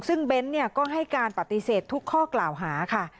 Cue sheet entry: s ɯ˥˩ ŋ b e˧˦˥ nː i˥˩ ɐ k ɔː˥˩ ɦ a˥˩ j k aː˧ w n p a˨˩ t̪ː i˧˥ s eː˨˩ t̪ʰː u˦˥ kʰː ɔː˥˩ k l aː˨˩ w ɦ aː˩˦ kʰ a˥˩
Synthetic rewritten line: s ɯ˥˩ ŋ b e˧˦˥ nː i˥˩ ɐ k ɔː˥˩ ɦ a˥˩ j k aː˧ n p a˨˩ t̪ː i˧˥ s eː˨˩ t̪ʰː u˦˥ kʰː ɔː˥˩ k l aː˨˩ w ɦ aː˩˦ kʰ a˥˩